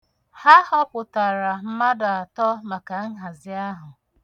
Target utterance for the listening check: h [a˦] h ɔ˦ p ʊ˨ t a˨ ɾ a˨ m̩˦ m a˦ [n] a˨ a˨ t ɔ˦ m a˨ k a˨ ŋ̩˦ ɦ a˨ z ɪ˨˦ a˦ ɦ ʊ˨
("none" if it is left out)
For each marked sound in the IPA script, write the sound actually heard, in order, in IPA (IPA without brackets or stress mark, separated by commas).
a˦, d